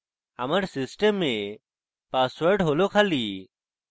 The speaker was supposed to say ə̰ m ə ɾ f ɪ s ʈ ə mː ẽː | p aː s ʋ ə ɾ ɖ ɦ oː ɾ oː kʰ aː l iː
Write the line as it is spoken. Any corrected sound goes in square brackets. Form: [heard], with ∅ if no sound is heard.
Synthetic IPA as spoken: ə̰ m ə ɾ [s] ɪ s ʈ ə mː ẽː | p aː s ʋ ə ɾ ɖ ɦ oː [l] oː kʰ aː l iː